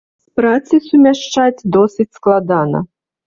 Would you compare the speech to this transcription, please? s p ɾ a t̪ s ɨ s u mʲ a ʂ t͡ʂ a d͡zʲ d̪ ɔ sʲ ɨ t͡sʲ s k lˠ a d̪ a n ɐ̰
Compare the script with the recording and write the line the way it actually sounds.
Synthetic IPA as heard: s p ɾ a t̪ s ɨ s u mʲ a ʂ t͡ʂ a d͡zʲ d̪ ɔ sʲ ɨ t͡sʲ s k lˠ a d̪ a n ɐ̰